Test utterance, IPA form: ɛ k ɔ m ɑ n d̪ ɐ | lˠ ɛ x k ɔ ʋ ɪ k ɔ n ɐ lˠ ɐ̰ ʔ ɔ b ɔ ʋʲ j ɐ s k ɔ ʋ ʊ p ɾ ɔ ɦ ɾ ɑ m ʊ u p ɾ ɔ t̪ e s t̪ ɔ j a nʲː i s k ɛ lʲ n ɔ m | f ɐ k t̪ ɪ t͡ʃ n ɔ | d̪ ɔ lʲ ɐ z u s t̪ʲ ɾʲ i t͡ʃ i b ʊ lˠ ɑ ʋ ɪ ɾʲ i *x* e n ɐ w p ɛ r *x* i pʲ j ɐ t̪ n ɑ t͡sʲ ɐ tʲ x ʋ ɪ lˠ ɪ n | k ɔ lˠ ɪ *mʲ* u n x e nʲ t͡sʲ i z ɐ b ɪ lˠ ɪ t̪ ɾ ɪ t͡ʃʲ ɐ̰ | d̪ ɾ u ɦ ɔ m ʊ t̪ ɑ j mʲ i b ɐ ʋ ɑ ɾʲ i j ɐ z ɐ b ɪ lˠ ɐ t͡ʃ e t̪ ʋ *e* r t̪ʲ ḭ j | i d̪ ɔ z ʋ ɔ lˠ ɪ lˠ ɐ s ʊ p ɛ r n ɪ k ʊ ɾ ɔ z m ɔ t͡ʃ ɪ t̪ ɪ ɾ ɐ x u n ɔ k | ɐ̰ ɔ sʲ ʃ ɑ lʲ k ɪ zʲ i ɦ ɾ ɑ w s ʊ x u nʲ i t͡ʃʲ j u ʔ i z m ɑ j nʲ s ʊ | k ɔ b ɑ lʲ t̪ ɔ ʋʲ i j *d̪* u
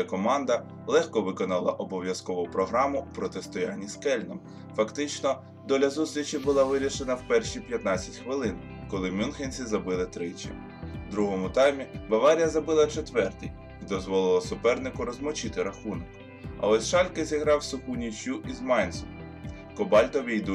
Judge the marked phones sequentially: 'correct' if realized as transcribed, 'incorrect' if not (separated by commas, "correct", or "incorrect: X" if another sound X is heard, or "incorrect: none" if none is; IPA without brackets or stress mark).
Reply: incorrect: ʃ, incorrect: ʃ, correct, incorrect: ɛ, correct